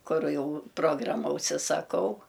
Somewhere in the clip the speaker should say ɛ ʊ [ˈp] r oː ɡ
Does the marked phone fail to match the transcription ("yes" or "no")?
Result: no